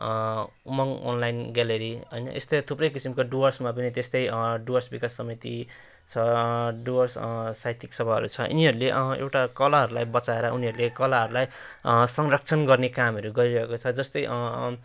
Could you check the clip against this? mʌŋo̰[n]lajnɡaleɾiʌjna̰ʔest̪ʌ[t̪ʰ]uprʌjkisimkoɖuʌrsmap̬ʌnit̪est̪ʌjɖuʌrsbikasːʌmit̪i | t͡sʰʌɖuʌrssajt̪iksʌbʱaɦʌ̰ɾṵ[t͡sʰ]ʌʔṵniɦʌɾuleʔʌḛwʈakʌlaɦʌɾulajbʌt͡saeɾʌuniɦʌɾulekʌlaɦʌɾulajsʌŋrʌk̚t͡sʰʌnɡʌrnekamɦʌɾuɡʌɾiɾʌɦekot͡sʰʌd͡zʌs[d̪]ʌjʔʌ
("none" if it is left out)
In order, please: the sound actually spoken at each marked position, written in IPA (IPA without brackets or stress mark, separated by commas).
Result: n, t̪ʰ, t͡sʰ, t̪